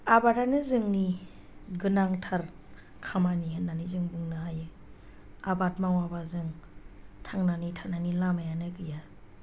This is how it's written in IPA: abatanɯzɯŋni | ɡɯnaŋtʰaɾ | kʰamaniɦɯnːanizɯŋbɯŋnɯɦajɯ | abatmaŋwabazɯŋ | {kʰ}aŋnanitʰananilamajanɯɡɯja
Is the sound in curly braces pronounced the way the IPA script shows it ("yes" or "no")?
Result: no